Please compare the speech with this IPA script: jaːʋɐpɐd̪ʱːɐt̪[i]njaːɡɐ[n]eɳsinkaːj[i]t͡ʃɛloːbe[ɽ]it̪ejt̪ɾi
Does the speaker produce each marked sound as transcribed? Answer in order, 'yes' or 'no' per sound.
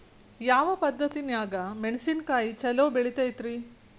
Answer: yes, no, yes, no

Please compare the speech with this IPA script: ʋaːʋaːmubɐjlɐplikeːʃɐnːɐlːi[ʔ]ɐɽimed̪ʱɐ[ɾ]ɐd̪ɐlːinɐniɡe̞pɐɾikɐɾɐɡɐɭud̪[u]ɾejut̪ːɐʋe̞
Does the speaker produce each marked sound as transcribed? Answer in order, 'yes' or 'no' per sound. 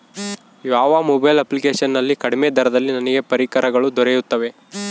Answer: no, yes, no

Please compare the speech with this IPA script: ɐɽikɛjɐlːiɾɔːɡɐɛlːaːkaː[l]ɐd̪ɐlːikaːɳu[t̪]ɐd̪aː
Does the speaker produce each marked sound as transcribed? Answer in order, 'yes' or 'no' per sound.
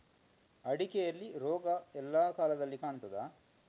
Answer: yes, yes

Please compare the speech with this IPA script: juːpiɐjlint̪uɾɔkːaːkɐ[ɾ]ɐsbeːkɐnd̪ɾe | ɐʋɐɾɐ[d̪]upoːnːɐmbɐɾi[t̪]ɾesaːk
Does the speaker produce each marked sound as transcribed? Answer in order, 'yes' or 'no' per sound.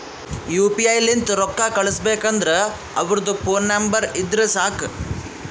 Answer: no, yes, no

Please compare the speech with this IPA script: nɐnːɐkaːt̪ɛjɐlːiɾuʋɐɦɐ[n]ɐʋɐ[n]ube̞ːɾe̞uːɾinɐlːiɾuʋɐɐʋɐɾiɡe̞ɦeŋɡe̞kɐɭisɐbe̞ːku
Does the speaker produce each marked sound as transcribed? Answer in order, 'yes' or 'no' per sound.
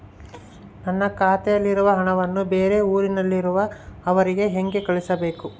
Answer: no, no

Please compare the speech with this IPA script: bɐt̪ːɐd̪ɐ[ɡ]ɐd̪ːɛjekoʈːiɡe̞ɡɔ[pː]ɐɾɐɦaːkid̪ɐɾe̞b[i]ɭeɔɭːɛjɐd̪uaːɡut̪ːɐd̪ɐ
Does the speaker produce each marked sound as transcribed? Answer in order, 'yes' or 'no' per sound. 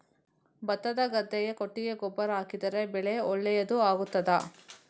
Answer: yes, no, no

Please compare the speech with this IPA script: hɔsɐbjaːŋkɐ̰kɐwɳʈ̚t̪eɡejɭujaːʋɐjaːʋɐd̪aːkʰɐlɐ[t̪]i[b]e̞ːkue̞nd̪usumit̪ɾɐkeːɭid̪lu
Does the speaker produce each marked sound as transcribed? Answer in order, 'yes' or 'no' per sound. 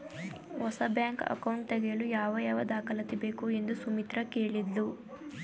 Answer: yes, yes

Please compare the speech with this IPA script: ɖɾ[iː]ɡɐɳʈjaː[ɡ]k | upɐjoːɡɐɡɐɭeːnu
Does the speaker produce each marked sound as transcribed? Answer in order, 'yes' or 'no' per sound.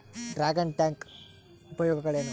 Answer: no, no

